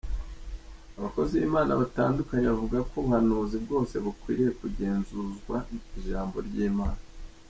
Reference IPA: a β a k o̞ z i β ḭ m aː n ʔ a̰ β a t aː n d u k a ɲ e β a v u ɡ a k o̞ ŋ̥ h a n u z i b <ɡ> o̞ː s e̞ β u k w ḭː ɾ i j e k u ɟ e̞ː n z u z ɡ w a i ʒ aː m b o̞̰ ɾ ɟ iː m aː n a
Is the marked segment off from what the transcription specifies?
no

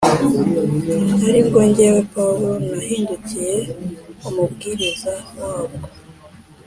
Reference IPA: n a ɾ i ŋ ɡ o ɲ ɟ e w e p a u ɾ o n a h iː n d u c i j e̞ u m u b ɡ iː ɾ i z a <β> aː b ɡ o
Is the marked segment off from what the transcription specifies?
yes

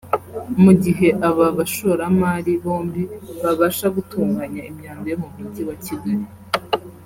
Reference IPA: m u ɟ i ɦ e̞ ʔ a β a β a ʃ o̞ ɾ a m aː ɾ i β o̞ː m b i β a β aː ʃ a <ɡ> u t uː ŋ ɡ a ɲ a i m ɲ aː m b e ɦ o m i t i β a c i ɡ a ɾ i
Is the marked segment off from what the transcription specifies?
no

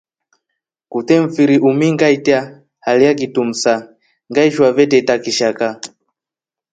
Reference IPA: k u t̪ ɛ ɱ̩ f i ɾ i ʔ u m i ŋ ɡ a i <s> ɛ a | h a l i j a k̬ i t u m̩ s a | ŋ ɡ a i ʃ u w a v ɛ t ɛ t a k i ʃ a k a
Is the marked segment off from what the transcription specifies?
yes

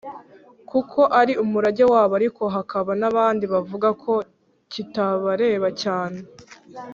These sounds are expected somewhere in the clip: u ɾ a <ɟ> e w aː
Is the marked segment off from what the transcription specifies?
no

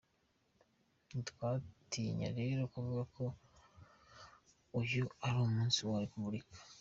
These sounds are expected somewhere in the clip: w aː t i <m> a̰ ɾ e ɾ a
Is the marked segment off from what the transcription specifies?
yes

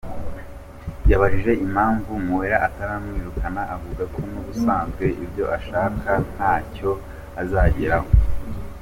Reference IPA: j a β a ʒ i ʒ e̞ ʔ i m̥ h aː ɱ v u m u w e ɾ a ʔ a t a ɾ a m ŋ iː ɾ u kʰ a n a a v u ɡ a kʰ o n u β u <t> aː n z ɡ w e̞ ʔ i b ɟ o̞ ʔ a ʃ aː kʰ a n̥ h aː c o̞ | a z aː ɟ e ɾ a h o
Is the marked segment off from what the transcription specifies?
yes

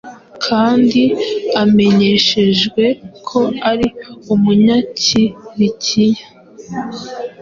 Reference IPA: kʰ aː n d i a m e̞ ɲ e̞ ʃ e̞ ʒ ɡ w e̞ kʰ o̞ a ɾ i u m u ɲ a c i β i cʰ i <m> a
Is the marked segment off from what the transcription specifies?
yes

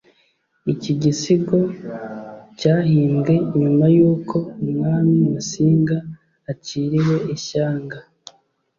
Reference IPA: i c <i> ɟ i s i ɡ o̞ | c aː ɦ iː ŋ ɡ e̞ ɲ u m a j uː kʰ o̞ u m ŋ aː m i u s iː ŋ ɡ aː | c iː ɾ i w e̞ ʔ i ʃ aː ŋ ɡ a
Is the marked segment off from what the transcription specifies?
no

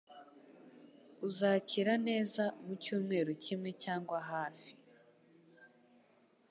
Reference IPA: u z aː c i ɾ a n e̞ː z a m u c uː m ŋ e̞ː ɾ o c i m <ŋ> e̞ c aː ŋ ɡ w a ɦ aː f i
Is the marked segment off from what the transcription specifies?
no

